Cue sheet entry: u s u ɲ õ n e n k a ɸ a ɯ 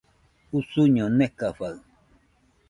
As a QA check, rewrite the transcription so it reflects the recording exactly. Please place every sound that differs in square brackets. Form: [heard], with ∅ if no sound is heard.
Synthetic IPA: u s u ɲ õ n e [∅] k a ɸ a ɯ